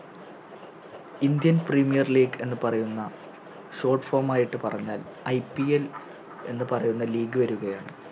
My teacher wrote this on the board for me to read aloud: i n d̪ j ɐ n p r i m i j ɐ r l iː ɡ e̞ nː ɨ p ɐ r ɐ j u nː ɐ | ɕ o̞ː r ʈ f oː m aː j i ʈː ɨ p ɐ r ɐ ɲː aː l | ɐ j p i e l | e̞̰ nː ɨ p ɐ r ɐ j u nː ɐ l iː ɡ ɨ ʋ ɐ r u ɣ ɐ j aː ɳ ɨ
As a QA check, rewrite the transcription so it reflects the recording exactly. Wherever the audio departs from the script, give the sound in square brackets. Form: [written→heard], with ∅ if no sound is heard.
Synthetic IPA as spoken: i n d̪ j ɐ n p r i m i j ɐ r l iː ɡ e̞ nː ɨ p ɐ r ɐ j u nː ɐ | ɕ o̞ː r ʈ f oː m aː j i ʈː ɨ p ɐ r ɐ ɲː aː l | ɐ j p i e l | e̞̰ nː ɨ p ɐ r ɐ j u nː ɐ l iː ɡ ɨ ʋ ɐ [r→ɾ] u ɣ ɐ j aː ɳ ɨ

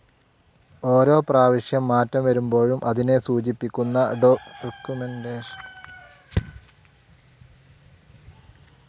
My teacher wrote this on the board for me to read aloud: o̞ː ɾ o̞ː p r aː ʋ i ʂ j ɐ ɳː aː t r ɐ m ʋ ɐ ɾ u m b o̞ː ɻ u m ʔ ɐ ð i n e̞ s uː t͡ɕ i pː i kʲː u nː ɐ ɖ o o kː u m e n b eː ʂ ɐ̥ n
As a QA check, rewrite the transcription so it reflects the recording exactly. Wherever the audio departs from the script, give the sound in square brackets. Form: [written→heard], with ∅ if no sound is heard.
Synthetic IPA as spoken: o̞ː ɾ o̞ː p r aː ʋ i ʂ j ɐ [ɳː→mː] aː t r ɐ m ʋ ɐ ɾ u m b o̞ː ɻ u m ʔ ɐ ð i n e̞ s uː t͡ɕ i pː i kʲː u nː ɐ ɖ o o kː u m e n [b→d] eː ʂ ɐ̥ n

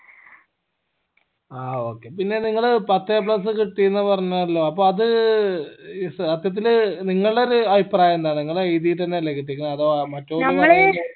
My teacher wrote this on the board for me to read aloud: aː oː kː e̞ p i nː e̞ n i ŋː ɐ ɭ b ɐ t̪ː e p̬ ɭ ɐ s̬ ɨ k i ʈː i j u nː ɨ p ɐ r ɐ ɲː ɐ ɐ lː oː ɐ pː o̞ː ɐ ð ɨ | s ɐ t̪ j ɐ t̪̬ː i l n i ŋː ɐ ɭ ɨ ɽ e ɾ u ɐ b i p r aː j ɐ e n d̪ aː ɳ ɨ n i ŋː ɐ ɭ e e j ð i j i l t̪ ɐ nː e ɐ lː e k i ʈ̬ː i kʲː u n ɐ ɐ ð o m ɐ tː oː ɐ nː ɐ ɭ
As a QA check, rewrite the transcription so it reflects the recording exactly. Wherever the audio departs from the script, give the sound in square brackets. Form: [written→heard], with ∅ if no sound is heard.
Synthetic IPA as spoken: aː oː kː e̞ p i nː e̞ n i ŋː ɐ ɭ [b→p] ɐ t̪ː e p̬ ɭ ɐ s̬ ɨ k i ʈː i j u nː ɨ p ɐ r ɐ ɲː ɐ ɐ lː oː ɐ pː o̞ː ɐ ð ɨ | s ɐ t̪ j ɐ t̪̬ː i l n i ŋː ɐ ɭ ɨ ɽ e ɾ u ɐ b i p r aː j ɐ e n d̪ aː ɳ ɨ n i ŋː ɐ ɭ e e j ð i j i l t̪ ɐ nː e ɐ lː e k i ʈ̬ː i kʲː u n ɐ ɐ ð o m ɐ tː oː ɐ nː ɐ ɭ

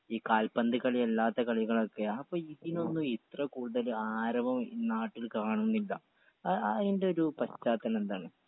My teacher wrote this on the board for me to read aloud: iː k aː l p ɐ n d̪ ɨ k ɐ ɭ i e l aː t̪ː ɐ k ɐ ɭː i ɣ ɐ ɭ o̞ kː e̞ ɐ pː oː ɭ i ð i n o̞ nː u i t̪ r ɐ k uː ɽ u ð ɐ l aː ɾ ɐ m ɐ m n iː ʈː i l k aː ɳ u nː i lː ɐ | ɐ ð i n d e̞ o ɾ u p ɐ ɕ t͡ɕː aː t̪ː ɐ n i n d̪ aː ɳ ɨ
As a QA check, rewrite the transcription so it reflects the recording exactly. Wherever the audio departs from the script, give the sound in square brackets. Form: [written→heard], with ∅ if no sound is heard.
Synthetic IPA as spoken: iː k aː l p ɐ n d̪ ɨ k ɐ ɭ i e [l→lː] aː t̪ː ɐ k ɐ [ɭː→ɭ] i ɣ ɐ ɭ o̞ kː e̞ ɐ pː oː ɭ i ð i n o̞ nː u i t̪ r ɐ k uː ɽ u ð ɐ l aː ɾ ɐ m ɐ m n [iː→aː] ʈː i l k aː ɳ u nː i lː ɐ | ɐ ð i n d e̞ o ɾ u p ɐ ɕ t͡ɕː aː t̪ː ɐ n [i→e] n d̪ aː ɳ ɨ

